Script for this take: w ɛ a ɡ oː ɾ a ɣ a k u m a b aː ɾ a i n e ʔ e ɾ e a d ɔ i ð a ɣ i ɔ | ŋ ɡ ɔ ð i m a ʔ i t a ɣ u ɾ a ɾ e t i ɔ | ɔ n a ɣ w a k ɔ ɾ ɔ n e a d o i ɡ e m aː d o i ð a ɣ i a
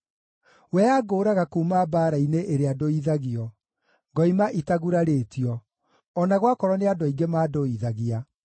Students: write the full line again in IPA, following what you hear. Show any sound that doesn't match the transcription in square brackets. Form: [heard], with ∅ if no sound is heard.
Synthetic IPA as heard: w ɛ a ɡ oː ɾ a ɣ a k u m a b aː ɾ a i n e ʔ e ɾ e a d [o] i ð a ɣ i ɔ | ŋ ɡ ɔ [∅] i m a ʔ i t a ɣ u ɾ a ɾ e t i ɔ | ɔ n a ɣ w a k ɔ ɾ ɔ n e a d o i ɡ e m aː d o i ð a ɣ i a